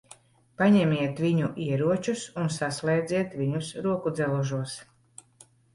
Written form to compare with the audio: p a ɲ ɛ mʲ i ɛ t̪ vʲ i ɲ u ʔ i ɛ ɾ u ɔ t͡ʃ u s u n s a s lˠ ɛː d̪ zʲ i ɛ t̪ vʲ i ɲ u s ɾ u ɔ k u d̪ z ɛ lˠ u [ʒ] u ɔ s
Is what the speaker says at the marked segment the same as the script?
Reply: yes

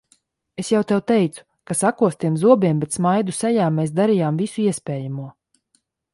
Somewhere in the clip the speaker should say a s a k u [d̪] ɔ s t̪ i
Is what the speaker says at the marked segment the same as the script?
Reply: no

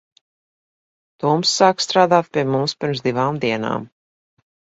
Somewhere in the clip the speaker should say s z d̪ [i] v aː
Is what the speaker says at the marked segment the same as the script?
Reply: yes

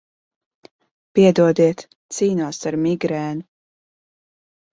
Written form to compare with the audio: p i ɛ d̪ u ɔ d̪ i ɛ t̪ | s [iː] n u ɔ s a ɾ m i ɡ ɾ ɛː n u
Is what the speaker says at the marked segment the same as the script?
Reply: yes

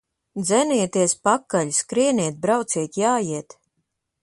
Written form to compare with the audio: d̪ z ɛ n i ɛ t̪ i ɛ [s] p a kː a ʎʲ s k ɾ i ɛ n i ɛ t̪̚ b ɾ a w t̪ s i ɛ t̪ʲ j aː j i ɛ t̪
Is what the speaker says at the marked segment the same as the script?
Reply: yes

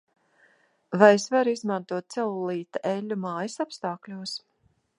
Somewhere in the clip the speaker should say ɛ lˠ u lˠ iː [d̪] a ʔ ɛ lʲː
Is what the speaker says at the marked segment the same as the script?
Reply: no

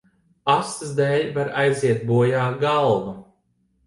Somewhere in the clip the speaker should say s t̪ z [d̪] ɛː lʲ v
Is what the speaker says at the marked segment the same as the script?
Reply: yes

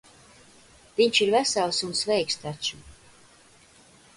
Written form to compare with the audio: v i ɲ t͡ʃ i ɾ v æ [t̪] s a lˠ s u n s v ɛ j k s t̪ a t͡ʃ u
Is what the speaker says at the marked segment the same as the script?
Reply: no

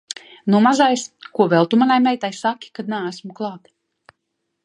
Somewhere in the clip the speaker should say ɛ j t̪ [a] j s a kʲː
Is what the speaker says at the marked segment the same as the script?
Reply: yes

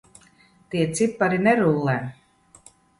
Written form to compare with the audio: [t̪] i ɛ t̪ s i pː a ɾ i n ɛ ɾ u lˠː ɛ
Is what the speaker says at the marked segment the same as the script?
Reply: yes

